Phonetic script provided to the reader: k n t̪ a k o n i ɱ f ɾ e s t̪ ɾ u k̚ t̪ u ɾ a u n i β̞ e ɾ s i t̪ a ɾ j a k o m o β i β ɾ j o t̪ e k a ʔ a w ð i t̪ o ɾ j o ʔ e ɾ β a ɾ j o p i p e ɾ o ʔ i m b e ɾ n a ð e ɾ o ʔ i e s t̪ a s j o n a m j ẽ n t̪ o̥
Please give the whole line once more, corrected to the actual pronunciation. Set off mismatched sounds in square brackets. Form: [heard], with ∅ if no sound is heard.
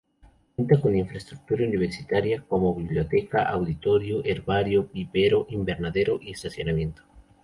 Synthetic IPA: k n t̪ a k o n i ɱ f ɾ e s t̪ ɾ u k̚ t̪ u ɾ a u n i β̞ e ɾ s i t̪ a ɾ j a k o m o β i β [l] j o t̪ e k a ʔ a w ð i t̪ o ɾ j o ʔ e ɾ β a ɾ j o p i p e ɾ o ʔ i m b e ɾ n a ð e ɾ o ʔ i e s t̪ a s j o n a m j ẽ n t̪ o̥